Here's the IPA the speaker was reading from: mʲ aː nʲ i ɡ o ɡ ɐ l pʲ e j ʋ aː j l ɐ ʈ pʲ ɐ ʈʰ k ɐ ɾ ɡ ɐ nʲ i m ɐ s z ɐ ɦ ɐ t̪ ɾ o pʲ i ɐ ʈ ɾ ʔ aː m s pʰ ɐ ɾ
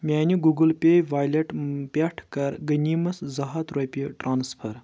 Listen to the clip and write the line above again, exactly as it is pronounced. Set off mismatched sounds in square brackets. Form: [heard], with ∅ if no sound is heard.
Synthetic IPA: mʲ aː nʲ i ɡ [u] ɡ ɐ l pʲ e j ʋ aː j l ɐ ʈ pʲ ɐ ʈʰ k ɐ ɾ ɡ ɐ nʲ i m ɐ s z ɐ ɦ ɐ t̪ ɾ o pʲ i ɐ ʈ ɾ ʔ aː [n] s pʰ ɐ ɾ